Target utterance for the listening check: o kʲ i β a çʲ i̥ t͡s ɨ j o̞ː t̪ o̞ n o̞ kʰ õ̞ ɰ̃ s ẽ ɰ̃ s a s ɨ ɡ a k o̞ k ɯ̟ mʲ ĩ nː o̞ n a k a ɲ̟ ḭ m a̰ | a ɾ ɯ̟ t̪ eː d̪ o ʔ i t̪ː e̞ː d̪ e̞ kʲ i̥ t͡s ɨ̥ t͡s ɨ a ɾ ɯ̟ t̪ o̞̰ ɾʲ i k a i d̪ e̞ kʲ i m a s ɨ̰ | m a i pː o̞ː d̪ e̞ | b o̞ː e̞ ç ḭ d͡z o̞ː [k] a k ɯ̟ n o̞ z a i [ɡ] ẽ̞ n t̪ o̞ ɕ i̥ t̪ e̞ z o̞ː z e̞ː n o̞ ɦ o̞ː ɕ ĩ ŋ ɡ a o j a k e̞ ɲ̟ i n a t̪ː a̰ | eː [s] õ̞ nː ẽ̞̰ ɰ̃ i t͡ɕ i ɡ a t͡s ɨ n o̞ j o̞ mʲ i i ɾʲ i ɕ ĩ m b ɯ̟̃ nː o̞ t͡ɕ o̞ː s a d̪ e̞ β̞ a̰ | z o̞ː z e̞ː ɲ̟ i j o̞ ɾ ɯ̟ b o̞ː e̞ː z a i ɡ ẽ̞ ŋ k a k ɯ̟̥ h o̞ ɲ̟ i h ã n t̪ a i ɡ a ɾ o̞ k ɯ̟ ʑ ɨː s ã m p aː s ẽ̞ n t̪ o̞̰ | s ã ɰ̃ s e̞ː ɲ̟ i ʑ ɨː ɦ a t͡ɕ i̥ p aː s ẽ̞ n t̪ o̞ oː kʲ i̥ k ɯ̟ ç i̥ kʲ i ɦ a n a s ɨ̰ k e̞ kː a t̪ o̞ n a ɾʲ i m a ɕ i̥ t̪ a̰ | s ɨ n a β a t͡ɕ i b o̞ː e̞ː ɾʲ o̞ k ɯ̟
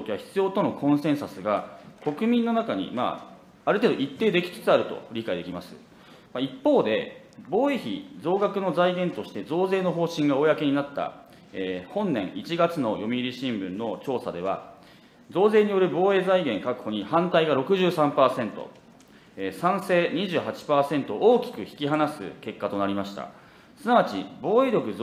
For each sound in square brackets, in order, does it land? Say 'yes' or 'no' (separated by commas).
no, yes, no